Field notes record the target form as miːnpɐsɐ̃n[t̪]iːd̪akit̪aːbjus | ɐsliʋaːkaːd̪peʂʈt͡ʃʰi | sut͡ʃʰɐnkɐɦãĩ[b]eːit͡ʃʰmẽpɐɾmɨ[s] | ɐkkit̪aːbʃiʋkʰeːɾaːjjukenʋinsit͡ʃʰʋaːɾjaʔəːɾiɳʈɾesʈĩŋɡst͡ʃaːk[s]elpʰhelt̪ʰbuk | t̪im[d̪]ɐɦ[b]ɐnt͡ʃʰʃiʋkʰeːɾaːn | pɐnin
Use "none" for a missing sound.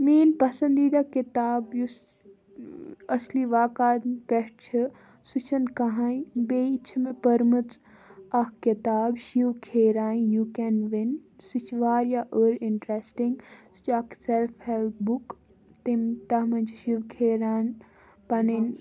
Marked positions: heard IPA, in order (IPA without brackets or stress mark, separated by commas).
d̪, b, t͡s, s, t̪, m